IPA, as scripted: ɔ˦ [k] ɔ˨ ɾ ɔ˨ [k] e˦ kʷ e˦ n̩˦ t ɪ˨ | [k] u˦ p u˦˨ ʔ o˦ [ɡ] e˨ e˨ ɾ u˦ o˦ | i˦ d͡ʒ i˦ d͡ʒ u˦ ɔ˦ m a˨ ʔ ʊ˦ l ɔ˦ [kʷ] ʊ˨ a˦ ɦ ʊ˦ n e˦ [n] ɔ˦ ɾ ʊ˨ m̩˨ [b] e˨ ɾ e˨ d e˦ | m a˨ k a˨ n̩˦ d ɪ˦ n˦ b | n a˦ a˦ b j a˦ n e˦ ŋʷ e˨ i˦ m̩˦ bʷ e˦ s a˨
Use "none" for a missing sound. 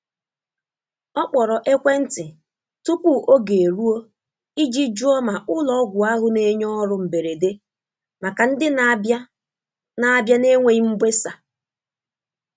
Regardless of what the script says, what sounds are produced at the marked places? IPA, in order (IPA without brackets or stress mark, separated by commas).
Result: k͡p, ʔ, t, ɡ, ɡʷ, ɲ, b